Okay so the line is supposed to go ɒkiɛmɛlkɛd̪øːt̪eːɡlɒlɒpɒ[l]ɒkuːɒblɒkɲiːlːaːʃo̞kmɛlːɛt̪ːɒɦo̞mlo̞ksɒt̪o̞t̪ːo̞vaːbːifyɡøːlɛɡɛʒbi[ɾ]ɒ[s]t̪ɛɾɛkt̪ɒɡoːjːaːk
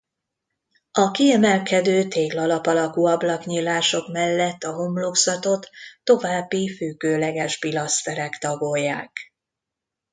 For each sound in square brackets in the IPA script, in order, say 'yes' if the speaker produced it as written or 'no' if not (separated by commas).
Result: yes, no, yes